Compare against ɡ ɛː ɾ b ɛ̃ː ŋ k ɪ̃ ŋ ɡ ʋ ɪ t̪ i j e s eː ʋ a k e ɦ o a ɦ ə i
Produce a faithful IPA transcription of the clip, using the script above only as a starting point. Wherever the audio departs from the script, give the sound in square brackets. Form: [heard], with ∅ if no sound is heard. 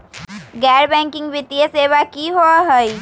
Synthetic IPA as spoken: ɡ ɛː ɾ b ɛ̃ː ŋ k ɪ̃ ŋ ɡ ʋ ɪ t̪ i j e s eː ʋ a k [i] ɦ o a ɦ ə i